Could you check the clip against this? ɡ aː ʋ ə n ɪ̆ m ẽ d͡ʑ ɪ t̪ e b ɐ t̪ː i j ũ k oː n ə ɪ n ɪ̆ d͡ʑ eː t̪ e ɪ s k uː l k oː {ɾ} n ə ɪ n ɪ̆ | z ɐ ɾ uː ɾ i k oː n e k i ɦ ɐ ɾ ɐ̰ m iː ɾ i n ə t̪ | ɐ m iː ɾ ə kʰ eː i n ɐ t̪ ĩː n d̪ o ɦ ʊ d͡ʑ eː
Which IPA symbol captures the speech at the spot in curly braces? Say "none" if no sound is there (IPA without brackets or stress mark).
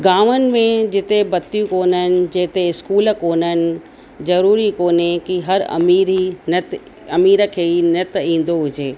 none